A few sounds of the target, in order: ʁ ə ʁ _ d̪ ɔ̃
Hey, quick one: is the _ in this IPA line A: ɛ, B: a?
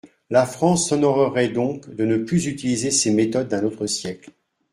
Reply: A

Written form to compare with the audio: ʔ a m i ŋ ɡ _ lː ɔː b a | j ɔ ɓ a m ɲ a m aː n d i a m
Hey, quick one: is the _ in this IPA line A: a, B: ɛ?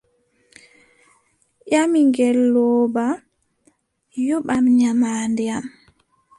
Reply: B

